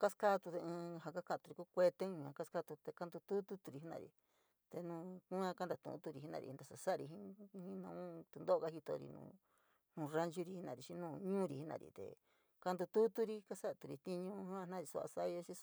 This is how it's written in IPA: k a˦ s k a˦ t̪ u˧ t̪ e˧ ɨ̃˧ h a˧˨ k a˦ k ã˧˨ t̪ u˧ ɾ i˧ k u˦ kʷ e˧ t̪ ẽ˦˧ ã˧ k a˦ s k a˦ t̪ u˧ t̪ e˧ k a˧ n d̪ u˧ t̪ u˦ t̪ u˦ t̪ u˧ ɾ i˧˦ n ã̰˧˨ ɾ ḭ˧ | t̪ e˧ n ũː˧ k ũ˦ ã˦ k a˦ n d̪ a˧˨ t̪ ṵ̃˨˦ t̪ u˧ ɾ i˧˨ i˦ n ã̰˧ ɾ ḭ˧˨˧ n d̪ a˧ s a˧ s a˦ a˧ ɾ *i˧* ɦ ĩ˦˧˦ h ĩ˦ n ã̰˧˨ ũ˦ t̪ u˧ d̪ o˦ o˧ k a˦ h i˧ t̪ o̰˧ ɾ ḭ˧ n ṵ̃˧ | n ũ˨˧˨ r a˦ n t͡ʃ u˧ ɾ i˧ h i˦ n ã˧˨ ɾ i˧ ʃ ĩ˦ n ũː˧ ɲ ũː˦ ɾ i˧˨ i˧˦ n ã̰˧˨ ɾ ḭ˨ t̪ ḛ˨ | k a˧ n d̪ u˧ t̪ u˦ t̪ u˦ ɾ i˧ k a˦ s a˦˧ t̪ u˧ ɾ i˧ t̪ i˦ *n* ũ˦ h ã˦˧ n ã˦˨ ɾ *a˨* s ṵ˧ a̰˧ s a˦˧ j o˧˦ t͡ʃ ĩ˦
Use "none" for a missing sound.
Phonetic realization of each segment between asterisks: i˧, ɲ, i˨

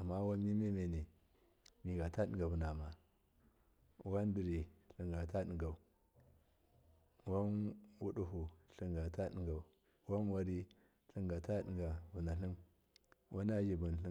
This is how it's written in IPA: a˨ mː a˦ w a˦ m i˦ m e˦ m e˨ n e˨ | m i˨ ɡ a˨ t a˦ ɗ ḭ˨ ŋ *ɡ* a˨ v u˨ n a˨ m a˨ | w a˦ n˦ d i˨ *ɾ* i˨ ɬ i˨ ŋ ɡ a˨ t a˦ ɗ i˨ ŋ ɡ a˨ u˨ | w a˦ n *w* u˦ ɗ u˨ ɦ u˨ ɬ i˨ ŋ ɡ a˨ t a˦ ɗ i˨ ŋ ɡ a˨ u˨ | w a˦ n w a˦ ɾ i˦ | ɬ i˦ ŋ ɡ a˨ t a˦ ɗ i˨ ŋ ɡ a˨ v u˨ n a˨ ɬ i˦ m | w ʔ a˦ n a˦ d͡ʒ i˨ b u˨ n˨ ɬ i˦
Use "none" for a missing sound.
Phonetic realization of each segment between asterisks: ɡ, ɾ, w

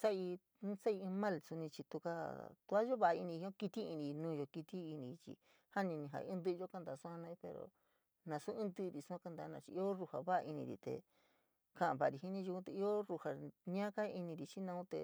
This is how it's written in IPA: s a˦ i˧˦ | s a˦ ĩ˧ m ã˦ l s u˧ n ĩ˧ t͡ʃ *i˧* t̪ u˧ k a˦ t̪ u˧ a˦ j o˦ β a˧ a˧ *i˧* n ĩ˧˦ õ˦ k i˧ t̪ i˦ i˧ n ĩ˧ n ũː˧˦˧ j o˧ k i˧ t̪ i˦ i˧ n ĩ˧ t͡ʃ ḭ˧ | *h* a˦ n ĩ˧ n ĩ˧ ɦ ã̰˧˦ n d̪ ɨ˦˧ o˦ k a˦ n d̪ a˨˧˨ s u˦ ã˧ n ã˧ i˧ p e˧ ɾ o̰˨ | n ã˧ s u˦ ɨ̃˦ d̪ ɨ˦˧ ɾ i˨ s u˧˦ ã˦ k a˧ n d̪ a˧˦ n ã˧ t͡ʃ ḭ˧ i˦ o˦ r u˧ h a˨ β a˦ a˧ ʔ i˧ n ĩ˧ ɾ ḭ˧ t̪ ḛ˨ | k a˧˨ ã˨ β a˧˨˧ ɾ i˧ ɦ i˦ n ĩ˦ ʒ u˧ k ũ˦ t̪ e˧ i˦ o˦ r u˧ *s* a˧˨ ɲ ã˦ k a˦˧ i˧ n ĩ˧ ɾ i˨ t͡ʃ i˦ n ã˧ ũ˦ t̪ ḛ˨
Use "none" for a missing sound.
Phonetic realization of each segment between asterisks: i˧, i˧, h, h

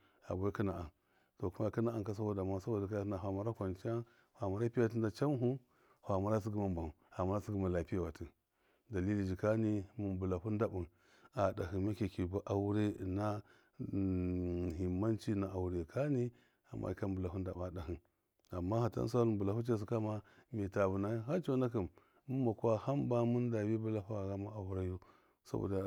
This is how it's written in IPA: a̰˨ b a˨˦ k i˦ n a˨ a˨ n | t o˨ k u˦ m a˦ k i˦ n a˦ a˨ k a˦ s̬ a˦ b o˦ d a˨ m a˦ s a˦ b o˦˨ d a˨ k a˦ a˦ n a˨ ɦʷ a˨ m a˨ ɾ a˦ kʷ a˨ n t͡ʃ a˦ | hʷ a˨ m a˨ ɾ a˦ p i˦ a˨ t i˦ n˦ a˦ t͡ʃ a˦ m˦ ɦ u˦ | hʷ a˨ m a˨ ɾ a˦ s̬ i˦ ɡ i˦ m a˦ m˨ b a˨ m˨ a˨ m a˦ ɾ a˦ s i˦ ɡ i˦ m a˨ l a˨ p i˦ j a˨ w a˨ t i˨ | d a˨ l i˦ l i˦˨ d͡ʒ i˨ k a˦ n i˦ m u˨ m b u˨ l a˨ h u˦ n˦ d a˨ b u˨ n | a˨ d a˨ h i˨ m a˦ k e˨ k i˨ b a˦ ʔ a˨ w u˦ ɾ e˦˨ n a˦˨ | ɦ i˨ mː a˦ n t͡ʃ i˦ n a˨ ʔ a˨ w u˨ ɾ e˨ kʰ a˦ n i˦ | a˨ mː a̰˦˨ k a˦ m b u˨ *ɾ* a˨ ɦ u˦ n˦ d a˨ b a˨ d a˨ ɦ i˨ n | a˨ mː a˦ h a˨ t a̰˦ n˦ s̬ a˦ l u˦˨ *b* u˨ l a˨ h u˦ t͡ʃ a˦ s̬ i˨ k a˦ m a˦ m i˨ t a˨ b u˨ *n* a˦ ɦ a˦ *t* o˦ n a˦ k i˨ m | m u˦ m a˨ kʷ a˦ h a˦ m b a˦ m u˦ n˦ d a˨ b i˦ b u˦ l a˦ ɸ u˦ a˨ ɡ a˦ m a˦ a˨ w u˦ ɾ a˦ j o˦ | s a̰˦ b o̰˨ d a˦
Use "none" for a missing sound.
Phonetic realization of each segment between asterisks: l, b, n, t͡ʃ

